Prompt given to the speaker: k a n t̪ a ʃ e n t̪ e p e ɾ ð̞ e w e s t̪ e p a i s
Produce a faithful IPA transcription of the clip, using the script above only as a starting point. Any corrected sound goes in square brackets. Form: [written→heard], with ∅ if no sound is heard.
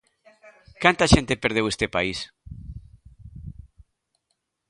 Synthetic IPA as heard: k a n t̪ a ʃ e n t̪ e p e ɾ ð̞ e w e s t̪ e p a i s